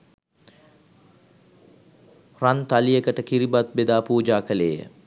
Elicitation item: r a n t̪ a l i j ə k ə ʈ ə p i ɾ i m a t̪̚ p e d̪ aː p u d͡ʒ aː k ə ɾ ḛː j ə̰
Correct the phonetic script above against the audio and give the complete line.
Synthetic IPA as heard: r a n t̪ a l i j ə k ə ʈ ə k i ɾ i b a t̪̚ b e d̪ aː p uː d͡ʒ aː k ə l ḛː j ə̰

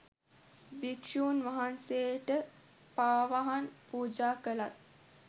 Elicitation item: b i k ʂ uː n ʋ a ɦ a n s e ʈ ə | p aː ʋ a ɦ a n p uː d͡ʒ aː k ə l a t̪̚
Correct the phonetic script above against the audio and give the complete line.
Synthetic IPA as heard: b i k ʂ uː n ʋ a ɦ a n s e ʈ ə | p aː ʋ a ɦ a n p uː d͡ʒ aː k ə l a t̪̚

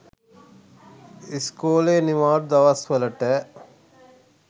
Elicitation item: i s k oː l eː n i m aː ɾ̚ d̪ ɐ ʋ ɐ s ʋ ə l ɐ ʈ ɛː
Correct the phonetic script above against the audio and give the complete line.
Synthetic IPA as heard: i s k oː l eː n i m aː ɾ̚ d̪ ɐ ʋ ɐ s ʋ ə l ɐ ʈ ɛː

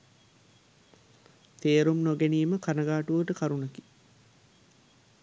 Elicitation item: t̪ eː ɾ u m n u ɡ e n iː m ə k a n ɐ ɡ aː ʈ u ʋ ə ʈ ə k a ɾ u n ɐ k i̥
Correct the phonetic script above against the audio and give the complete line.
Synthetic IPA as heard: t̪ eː ɾ u m n o ɡ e n iː m ə k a n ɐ ɡ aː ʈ u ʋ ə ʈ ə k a ɾ u n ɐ k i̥

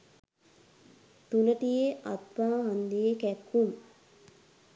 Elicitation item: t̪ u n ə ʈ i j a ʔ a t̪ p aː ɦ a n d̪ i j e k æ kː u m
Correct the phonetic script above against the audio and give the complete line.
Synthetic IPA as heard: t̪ u n ə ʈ i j e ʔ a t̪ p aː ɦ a n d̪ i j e k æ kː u m

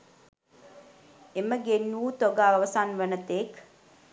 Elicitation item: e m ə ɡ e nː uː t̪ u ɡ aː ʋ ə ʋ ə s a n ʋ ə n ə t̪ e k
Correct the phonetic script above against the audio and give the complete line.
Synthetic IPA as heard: e m ə ɡ e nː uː t̪ o ɡ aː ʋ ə ʋ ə s a n ʋ ə n ə t̪ e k

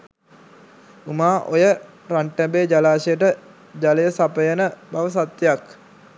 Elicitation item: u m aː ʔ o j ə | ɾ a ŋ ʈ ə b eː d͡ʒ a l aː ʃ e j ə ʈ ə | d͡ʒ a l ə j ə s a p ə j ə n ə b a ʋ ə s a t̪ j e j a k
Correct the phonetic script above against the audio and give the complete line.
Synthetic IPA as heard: u m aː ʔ o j ə | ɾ a ɳ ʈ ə b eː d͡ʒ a l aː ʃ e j ə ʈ ə | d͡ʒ a l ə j ə s a p ə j ə n ə b a ʋ ə s a t̪ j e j a k

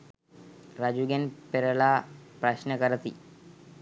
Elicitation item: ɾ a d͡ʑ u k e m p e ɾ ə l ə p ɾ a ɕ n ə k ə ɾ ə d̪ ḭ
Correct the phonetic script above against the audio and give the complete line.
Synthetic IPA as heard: ɾ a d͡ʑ u ɡ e n p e ɾ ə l a p ɾ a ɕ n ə k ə ɾ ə t̪ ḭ

